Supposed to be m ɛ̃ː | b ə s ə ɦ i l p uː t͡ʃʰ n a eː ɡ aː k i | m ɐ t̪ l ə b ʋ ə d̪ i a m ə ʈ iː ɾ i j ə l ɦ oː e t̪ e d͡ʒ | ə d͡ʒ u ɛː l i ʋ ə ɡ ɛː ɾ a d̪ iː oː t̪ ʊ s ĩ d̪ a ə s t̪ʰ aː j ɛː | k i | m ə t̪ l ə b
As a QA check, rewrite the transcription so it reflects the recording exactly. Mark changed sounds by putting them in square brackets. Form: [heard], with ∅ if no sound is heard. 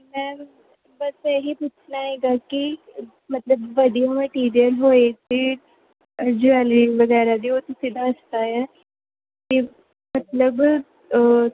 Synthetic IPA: m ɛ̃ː | b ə s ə ɦ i [∅] p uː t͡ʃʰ n a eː ɡ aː k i | m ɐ t̪ l ə b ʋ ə d̪ i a m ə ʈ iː ɾ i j ə l ɦ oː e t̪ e [∅] | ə d͡ʒ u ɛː l i ʋ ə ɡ ɛː ɾ a d̪ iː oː t̪ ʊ s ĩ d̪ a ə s [t̪] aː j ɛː | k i | m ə t̪ l ə b

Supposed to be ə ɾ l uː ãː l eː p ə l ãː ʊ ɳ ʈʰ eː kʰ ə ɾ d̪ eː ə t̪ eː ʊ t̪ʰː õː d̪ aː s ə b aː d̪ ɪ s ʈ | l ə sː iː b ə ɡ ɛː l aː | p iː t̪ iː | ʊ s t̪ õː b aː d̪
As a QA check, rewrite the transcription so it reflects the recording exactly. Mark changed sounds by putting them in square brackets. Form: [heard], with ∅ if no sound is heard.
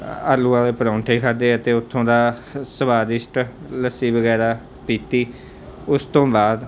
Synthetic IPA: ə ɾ l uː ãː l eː p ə [ɾ] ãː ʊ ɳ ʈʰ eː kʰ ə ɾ d̪ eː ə t̪ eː ʊ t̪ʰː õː d̪ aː s ə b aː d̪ ɪ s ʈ | l ə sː iː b ə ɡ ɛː [ɾ] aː | p iː t̪ iː | ʊ s t̪ õː b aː d̪

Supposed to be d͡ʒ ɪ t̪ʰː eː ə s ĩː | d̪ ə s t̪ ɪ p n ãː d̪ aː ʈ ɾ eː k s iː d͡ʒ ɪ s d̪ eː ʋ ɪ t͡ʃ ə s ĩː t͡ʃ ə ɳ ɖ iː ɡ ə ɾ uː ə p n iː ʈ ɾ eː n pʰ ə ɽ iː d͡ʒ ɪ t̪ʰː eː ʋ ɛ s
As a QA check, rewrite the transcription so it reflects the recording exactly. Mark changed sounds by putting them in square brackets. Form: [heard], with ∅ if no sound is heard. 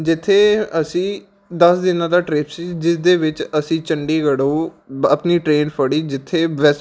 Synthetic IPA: d͡ʒ ɪ t̪ʰː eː ə s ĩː | d̪ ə s [d̪] ɪ [∅] n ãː d̪ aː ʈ ɾ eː [p] s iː d͡ʒ ɪ s d̪ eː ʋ ɪ t͡ʃ ə s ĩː t͡ʃ ə ɳ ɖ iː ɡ ə [ɽ] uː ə p n iː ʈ ɾ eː n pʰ ə ɽ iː d͡ʒ ɪ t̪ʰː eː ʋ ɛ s

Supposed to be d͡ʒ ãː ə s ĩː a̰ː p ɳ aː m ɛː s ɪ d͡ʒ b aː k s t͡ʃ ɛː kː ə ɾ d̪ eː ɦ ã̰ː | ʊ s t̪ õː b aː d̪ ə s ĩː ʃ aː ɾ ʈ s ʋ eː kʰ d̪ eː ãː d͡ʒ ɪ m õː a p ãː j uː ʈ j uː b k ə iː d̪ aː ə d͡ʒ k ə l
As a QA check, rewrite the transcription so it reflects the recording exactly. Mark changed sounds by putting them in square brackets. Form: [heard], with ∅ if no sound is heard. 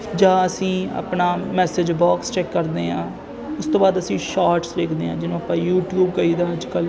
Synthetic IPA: d͡ʒ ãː ə s ĩː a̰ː p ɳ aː m ɛː s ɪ d͡ʒ b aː k s t͡ʃ ɛː kː ə ɾ d̪ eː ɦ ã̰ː | ʊ s t̪ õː b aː d̪ ə s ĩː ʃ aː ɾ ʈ s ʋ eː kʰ d̪ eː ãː d͡ʒ ɪ [n] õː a p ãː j uː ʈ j uː b k ə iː d̪ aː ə d͡ʒ k ə l

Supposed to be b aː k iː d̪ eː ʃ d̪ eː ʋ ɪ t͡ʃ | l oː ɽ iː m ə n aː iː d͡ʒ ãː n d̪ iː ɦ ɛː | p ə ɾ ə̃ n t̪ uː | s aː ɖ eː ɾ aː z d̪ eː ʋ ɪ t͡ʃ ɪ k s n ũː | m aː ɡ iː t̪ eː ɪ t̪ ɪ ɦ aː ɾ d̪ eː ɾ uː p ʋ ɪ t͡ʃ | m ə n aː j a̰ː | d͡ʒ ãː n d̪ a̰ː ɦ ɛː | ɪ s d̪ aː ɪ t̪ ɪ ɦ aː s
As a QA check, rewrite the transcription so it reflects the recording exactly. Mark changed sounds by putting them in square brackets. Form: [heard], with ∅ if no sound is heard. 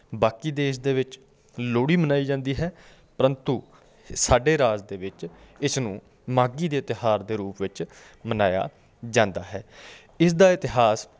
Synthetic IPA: b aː k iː d̪ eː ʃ d̪ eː ʋ ɪ t͡ʃ | l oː ɽ iː m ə n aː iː d͡ʒ ãː n d̪ iː ɦ ɛː | p ə ɾ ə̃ n t̪ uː | s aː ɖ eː ɾ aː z d̪ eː ʋ ɪ t͡ʃ ɪ [∅] s n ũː | m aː ɡ iː [d̪] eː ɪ t̪ ɪ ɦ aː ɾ d̪ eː ɾ uː p ʋ ɪ t͡ʃ | m ə n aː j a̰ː | d͡ʒ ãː n d̪ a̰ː ɦ ɛː | ɪ s d̪ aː ɪ t̪ ɪ ɦ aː s

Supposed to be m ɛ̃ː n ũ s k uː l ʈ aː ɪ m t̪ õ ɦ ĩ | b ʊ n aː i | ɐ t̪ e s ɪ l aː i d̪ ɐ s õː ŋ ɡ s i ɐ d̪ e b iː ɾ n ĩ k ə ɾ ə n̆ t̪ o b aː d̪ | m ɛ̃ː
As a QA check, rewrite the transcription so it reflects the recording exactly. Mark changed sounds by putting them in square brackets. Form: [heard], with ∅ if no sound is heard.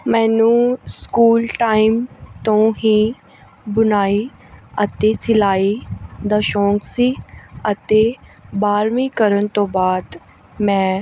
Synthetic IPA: m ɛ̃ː n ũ s k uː l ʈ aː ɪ m t̪ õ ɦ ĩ | b ʊ n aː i | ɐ t̪ e s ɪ l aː i d̪ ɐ [ʃ] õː ŋ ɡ s i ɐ [t̪] e b [aː] ɾ [m] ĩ k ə ɾ ə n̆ t̪ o b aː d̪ | m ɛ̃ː

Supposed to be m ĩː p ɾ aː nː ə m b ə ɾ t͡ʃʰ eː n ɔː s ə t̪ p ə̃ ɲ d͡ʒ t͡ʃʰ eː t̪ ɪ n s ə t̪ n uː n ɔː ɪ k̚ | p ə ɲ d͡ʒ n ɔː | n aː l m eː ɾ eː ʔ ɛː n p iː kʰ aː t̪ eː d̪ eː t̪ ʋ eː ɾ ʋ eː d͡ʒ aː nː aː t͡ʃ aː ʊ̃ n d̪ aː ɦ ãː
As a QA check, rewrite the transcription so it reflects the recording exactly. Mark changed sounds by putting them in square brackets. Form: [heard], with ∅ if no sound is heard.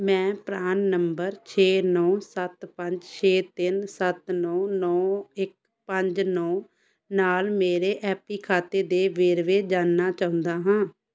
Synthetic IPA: m [ɛ̃ː] p ɾ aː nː ə m b ə ɾ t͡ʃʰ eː n ɔː s ə t̪ p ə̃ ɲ d͡ʒ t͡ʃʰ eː t̪ ɪ n s ə t̪ n [ɔː] n ɔː ɪ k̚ | p ə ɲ d͡ʒ n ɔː | n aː l m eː ɾ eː ʔ ɛː [∅] p iː kʰ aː t̪ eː d̪ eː [∅] ʋ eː ɾ ʋ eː d͡ʒ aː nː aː t͡ʃ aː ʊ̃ n d̪ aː ɦ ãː

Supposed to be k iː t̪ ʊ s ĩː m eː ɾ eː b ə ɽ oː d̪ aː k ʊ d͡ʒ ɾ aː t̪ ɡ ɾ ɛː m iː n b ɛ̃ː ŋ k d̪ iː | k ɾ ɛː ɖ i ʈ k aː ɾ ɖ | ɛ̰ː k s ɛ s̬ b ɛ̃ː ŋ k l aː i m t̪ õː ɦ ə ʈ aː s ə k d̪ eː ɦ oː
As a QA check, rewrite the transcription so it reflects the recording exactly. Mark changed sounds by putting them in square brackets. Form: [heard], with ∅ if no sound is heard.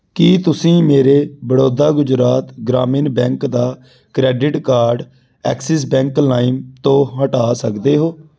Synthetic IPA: k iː t̪ ʊ s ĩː m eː ɾ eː b ə ɽ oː d̪ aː [ɡ] ʊ d͡ʒ ɾ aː t̪ ɡ ɾ [aː] m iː n b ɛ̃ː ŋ k d̪ [aː] | k ɾ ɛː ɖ [ɪ] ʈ k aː ɾ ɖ | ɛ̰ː k s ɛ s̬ b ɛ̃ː ŋ k l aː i m t̪ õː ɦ ə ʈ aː s ə k d̪ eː ɦ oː

